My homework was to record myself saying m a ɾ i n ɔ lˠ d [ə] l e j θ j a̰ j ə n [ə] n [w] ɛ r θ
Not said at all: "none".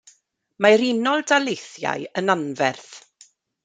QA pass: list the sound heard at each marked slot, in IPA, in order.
a, a, v

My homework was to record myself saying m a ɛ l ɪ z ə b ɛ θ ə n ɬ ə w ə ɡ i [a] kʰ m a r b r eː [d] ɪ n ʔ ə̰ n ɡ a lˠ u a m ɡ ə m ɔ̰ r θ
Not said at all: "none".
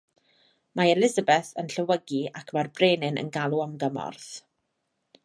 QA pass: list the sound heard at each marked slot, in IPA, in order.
a, n

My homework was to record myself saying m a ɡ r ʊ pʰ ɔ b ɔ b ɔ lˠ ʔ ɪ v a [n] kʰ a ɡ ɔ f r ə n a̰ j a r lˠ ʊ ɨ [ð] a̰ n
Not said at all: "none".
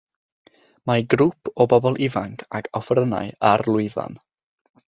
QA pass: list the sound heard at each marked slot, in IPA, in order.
ŋ, v

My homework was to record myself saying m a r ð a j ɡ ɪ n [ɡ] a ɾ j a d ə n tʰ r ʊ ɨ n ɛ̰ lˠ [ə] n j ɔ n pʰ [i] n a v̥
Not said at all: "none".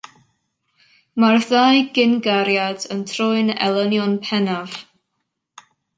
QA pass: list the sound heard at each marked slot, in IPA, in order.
ɡ, ə, ɛ

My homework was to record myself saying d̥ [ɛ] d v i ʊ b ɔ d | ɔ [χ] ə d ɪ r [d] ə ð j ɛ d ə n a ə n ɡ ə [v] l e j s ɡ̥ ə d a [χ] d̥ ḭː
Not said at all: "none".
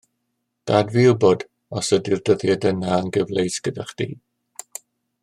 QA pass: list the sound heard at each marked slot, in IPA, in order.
a, s, d, v, χ

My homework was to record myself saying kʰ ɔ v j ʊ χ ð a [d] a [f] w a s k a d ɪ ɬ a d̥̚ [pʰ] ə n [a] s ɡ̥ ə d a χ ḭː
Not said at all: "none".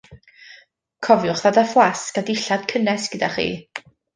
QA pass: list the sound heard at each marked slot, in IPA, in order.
d, f, kʰ, ɛ

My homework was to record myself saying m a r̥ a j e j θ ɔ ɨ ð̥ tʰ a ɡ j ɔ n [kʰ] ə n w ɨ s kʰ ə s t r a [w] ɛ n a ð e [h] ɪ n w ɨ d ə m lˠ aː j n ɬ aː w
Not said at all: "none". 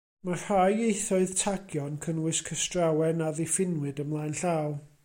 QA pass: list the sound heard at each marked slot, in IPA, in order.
kʰ, w, f

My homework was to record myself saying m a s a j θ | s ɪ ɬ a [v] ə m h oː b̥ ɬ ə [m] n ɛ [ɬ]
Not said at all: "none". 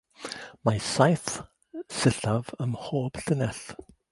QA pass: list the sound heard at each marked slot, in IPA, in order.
v, none, ɬ

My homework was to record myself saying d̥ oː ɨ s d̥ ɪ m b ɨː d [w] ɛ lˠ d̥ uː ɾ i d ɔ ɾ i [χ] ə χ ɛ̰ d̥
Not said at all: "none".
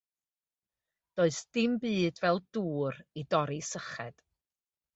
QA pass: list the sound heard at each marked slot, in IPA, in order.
v, s

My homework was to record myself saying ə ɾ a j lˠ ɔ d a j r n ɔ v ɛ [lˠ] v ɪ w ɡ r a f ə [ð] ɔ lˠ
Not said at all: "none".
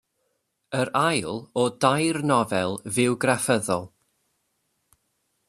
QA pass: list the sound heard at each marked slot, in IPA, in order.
lˠ, ð

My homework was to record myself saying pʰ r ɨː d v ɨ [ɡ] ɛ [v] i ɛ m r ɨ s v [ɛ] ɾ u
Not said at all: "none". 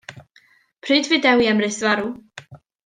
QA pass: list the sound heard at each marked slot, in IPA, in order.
d, w, a

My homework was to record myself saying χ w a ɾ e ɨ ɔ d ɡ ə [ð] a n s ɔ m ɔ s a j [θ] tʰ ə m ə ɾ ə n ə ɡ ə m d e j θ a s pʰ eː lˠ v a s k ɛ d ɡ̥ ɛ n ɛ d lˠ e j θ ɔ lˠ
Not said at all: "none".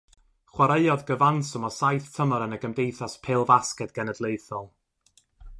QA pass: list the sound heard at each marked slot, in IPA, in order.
v, θ

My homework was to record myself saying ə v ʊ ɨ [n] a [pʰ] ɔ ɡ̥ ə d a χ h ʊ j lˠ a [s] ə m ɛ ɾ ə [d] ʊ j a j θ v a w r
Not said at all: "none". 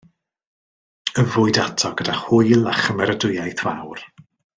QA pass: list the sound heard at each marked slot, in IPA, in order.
d, tʰ, χ, d

